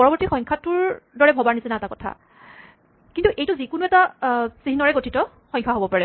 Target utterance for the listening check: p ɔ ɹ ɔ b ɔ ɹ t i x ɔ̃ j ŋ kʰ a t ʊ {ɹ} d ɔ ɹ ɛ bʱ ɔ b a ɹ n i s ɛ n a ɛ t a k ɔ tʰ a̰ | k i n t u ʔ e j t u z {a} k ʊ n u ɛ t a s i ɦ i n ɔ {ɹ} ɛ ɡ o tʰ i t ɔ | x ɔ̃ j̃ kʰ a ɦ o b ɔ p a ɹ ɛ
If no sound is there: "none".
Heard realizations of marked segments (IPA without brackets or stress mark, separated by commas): ɹ, i, ɹ